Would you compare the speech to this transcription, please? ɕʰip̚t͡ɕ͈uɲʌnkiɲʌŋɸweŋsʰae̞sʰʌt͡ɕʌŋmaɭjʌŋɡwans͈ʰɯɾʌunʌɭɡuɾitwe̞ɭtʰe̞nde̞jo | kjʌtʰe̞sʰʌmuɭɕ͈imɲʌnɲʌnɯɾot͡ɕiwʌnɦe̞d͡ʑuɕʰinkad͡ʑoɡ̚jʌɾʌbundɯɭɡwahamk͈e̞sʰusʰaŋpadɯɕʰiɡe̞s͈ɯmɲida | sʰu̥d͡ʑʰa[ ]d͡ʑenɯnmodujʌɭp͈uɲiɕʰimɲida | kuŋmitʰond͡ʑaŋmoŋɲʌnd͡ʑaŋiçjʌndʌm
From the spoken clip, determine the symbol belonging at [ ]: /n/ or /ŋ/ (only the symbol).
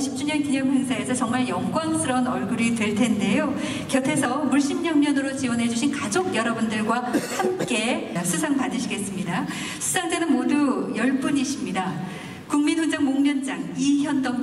ŋ